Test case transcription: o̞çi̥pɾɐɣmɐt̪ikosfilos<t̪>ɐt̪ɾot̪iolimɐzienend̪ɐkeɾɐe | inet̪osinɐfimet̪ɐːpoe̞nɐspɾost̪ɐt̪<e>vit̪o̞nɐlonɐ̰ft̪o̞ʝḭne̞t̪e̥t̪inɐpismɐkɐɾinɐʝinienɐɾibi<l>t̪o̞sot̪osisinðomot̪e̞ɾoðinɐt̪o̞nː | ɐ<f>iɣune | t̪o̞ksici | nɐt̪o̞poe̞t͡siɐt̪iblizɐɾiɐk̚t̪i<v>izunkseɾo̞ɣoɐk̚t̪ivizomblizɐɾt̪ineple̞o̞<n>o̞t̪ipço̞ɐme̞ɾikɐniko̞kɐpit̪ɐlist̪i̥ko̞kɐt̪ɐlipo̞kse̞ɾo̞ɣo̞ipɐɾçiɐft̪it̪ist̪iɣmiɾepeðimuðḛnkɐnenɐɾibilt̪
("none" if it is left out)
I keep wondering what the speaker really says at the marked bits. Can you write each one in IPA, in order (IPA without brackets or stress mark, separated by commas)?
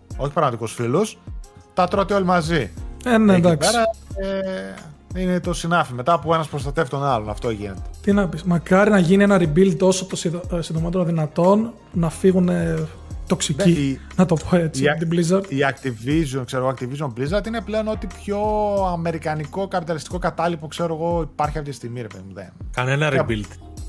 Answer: t̪, e, l, f, v, n